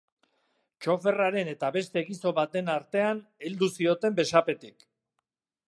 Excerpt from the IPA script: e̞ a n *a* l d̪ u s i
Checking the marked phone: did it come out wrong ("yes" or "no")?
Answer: yes